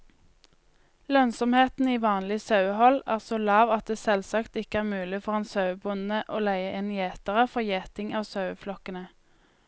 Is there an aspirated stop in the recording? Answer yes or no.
no